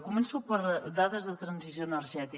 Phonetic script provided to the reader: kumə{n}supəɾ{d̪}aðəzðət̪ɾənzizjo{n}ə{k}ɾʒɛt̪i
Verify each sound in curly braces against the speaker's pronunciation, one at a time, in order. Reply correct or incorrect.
correct, correct, correct, incorrect: none

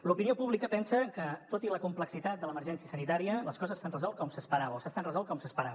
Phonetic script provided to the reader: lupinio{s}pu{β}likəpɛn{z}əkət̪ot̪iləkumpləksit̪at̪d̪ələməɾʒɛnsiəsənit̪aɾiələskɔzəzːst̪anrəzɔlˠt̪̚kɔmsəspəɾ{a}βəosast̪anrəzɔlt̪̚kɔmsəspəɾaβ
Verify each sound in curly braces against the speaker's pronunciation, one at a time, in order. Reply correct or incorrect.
incorrect: none, correct, incorrect: s, correct

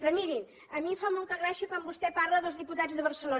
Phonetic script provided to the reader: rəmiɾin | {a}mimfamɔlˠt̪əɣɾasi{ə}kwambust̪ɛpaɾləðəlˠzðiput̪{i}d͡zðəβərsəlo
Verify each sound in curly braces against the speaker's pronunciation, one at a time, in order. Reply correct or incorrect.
incorrect: ə, correct, incorrect: a

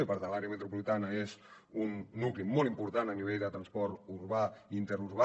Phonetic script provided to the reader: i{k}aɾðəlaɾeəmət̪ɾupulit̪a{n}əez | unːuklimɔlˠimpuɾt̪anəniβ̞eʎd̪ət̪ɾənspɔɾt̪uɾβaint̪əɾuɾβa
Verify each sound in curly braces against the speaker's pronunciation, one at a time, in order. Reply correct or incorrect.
incorrect: p, correct

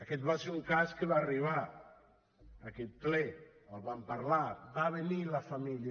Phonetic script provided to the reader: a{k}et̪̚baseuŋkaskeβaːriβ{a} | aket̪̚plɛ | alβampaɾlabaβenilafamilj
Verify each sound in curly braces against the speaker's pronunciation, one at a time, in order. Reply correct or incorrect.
correct, correct

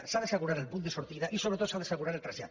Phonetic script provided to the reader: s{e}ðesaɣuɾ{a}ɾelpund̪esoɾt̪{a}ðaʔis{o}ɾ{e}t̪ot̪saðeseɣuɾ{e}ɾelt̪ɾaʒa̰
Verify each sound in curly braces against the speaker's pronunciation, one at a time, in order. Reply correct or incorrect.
incorrect: a, correct, incorrect: i, correct, correct, incorrect: a

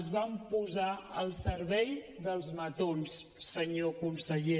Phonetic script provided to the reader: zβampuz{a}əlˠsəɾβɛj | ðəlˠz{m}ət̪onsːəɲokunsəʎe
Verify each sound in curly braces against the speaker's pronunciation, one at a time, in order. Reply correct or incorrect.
correct, correct

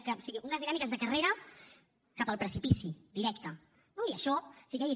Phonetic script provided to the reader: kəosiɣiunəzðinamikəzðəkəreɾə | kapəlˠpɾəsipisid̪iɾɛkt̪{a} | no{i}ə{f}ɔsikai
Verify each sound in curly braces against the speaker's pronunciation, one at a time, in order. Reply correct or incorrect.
incorrect: ə, correct, incorrect: ʃ

